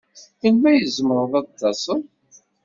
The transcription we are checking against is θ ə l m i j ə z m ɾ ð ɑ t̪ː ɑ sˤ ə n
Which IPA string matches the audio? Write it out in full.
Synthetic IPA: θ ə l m æ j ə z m ɾ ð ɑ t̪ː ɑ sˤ ə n